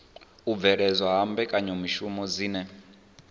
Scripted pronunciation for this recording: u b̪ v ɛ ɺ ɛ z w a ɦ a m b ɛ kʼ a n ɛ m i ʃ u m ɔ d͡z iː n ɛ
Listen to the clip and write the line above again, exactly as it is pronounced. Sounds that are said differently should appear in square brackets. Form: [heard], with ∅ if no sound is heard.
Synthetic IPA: u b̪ v ɛ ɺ ɛ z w a ɦ a m b ɛ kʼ a [ɲ] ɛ m i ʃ u m ɔ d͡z iː n ɛ